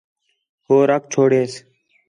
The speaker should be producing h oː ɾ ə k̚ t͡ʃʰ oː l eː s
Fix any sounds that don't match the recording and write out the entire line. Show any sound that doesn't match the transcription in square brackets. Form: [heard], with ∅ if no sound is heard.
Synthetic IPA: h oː ɾ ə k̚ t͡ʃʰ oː [ɽ] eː s